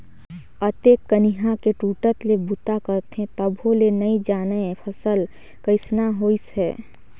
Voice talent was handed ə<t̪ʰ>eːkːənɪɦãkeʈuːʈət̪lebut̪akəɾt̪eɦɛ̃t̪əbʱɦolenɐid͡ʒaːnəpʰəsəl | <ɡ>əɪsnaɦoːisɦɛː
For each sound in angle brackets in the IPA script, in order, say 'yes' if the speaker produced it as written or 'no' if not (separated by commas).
no, no